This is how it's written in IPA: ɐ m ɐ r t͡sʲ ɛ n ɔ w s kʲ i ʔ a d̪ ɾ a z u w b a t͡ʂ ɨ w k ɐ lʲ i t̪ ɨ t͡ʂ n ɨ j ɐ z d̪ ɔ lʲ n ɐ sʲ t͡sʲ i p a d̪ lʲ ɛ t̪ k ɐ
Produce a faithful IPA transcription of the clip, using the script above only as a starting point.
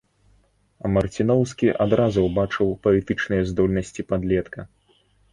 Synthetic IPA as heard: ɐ m ɐ r t͡sʲ i n ɔ w s kʲ i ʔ a d̪ ɾ a z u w b a t͡ʂ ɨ w p ɐ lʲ i t̪ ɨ t͡ʂ n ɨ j ɐ z d̪ ɔ lʲ n ɐ sʲ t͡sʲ i p a d̪ lʲ ɛ t̪ k ɐ